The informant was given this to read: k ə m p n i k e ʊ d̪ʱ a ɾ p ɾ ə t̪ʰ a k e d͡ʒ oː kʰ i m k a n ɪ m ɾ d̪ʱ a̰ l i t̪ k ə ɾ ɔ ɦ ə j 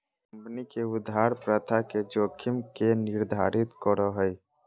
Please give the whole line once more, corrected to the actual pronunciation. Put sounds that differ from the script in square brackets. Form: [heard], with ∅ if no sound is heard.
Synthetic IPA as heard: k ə m p n i k e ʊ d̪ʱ a ɾ p ɾ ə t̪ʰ a k e d͡ʒ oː kʰ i m k [e] n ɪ [∅] ɾ d̪ʱ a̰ [ɾ] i t̪ k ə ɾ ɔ ɦ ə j

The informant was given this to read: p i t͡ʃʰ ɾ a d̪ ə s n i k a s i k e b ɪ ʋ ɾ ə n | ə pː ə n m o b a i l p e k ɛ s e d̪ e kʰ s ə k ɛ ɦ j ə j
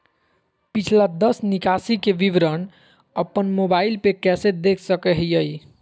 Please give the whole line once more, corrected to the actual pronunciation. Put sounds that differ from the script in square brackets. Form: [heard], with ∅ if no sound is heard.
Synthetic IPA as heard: p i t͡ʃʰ [l] a d̪ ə s n i k a s i k e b [i] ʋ ɾ ə n | ə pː ə n m o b a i l p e k ɛ s e d̪ e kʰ s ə k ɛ ɦ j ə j

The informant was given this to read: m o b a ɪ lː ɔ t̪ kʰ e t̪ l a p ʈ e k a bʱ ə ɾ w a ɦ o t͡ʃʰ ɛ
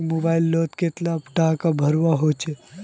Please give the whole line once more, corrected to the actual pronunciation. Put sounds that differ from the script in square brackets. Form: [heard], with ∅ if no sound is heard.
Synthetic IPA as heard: m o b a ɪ lː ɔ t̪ [k] e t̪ l a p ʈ [a] k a bʱ ə ɾ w a ɦ o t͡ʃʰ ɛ

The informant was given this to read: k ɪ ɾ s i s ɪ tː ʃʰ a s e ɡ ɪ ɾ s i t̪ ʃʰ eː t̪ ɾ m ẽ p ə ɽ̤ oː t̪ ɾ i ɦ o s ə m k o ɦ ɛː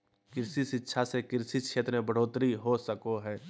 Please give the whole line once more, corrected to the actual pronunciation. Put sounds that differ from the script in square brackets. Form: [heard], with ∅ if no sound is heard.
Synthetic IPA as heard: k ɪ ɾ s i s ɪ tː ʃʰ a s e [k] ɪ ɾ s i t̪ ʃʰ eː t̪ ɾ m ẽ [b] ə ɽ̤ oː t̪ ɾ i ɦ o s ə [∅] k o ɦ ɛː

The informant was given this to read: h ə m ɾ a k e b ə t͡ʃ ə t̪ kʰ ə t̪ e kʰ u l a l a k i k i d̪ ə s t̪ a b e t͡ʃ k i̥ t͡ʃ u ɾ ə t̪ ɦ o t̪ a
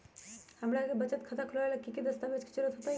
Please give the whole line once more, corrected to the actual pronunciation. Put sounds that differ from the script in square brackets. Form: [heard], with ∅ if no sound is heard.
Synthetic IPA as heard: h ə m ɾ a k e b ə t͡ʃ ə t̪ kʰ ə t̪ [a] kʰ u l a l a k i k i d̪ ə s t̪ a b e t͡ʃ k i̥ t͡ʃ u ɾ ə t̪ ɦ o t̪ a

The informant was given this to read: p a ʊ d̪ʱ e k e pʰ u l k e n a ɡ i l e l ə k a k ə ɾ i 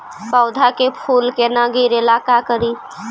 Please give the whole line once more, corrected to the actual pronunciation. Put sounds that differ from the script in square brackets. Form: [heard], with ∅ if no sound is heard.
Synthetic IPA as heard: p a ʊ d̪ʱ [a] k e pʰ u l k e n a ɡ i [ɾ] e l [a] k a k ə ɾ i

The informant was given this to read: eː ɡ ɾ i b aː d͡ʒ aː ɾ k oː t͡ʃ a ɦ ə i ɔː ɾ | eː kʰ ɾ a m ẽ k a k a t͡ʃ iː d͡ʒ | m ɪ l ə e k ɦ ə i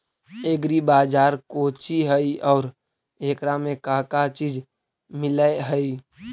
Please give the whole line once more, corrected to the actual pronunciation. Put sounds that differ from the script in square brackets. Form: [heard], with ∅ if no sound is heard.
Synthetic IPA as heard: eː ɡ ɾ i b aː d͡ʒ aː ɾ k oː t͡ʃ [i] ɦ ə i ɔː ɾ | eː [k] ɾ a m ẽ k a k a t͡ʃ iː d͡ʒ | m ɪ l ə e [∅] ɦ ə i

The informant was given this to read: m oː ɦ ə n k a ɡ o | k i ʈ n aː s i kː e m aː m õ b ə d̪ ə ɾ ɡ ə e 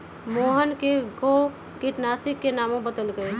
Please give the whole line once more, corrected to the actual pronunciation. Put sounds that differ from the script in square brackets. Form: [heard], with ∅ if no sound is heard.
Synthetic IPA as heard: m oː ɦ ə n k [e] ɡ o | k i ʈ n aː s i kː e [n] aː m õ b ə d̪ ə [l] ɡ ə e

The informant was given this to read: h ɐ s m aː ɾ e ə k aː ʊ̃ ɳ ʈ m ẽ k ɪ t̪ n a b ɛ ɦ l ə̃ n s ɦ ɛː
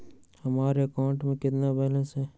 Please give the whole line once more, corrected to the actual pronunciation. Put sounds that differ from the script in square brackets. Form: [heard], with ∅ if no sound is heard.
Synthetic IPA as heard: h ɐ [∅] m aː ɾ e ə k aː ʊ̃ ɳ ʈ m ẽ k ɪ t̪ n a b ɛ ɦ l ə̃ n s ɦ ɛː

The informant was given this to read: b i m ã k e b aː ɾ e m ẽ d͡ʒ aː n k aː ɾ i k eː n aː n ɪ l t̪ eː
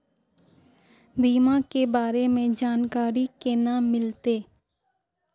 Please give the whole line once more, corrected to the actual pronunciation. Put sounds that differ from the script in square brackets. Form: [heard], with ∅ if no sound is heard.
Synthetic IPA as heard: b [iː] m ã k e b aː ɾ e m ẽ d͡ʒ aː n k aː ɾ i k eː n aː [m] ɪ l t̪ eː

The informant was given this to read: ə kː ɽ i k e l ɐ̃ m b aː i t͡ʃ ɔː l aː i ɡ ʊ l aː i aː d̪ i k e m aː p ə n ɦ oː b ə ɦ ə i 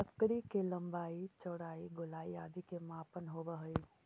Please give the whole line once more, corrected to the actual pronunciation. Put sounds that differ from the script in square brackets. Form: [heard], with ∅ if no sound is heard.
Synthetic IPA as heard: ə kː ɽ i k e l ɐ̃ m b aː i t͡ʃ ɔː [ɽ] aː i ɡ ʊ l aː i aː d̪ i k e m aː p ə n ɦ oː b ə ɦ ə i

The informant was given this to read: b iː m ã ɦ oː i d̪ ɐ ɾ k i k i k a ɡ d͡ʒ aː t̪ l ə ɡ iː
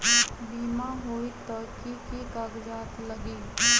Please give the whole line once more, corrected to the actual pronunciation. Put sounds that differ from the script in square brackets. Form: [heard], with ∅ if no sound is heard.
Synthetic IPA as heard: b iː m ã ɦ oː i [t̪] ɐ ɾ k i k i k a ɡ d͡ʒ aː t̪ l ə ɡ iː

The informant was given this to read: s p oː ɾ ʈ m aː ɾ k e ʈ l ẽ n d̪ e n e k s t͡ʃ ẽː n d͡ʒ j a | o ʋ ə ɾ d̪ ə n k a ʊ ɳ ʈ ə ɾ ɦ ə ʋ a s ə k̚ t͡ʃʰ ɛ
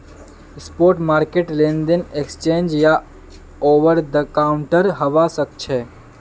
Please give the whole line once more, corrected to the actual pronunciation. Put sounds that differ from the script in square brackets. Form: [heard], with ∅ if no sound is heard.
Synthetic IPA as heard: s p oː ɾ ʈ m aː ɾ k e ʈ l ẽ n d̪ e n e k s t͡ʃ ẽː n d͡ʒ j a | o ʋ ə ɾ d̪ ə [∅] k a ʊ ɳ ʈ ə ɾ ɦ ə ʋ a s ə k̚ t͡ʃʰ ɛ

